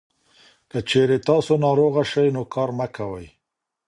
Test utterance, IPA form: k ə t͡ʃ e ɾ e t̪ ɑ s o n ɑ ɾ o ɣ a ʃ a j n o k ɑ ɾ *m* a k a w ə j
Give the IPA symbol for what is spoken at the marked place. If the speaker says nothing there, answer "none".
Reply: m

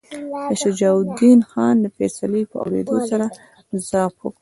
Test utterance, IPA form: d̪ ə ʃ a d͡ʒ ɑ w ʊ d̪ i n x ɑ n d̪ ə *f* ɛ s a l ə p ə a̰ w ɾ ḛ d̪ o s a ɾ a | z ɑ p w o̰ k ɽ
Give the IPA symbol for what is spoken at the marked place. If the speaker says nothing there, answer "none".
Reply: f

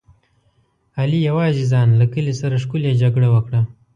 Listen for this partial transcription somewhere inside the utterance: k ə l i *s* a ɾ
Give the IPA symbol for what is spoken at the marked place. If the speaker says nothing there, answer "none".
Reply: s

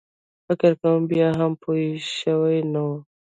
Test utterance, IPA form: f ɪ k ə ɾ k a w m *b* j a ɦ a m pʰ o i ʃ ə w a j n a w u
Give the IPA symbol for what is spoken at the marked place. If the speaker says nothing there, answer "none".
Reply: b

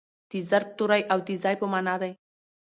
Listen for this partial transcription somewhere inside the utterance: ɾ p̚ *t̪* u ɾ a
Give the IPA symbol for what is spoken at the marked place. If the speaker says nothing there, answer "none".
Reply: t̪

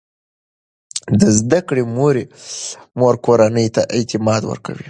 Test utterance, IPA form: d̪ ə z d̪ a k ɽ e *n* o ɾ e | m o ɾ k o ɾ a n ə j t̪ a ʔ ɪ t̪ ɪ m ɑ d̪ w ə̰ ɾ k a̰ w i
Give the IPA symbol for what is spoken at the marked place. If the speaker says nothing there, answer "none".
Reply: m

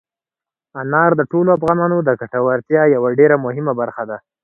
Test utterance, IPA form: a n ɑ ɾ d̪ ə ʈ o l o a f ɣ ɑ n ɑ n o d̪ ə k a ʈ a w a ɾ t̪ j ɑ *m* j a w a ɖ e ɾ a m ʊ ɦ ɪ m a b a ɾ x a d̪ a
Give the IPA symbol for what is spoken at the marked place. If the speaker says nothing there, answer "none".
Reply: none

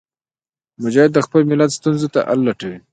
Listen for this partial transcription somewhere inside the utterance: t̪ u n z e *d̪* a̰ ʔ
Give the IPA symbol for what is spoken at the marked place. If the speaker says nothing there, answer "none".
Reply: t̪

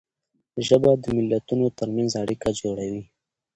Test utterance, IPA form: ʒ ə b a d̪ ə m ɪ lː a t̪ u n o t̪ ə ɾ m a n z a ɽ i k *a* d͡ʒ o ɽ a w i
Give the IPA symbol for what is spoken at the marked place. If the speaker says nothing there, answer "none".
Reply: a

